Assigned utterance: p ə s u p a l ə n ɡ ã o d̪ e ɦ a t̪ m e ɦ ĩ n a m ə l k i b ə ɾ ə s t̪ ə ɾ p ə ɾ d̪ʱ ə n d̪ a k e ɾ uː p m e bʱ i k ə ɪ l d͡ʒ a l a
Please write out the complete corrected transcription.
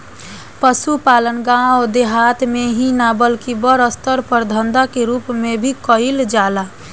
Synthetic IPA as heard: p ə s u p a l ə n ɡ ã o d̪ e ɦ a t̪ m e ɦ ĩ n a b ə l k i b ə ɾ ə s t̪ ə ɾ p ə ɾ d̪ʱ ə n d̪ a k e ɾ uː p m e bʱ i k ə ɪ l d͡ʒ a l a